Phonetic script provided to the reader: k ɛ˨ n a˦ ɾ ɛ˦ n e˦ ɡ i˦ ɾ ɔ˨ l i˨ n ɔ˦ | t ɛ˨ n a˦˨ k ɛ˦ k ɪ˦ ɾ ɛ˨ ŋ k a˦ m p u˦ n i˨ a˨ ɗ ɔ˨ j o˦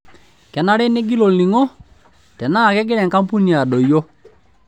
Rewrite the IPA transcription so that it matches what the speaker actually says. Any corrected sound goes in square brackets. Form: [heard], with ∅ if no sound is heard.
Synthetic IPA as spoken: k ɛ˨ n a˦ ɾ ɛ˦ n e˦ ɡ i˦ [l] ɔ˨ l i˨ [ŋ] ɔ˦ | t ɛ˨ n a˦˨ k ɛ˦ [ɡ] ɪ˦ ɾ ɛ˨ ŋ k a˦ m p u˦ n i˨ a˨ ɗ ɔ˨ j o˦